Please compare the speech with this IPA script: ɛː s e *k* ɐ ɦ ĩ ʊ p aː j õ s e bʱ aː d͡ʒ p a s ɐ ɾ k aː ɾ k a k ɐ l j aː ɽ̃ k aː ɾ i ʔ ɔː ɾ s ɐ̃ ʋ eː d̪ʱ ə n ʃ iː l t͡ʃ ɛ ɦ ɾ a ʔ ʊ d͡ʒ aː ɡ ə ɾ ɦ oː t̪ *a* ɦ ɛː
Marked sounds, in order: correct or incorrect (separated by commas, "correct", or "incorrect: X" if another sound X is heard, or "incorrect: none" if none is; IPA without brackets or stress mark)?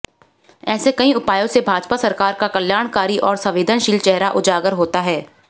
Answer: correct, correct